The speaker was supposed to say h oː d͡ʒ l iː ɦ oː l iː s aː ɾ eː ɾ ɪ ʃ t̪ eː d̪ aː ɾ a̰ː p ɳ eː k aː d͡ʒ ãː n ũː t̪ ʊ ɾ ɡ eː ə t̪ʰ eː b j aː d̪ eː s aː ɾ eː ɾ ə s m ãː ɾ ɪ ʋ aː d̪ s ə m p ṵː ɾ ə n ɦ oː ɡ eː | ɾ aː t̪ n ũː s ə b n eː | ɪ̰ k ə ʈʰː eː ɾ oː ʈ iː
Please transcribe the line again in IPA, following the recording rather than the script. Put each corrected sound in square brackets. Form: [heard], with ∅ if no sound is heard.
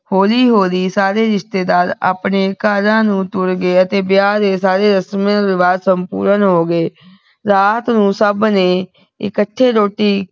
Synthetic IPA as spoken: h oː [∅] l iː ɦ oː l iː s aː ɾ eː ɾ ɪ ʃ t̪ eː d̪ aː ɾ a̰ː p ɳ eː k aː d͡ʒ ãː n ũː t̪ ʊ ɾ ɡ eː ə [t̪] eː b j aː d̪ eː s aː ɾ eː ɾ ə s m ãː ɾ ɪ ʋ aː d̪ s ə m p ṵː ɾ ə n ɦ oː ɡ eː | ɾ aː t̪ n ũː s ə b n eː | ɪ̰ k ə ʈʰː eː ɾ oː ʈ iː